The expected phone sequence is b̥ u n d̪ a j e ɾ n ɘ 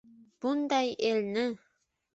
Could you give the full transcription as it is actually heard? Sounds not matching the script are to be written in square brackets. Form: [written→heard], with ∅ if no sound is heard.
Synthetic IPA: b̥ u n d̪ [a→ɑ] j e [ɾ→l] n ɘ